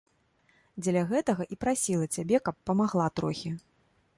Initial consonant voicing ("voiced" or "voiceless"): voiced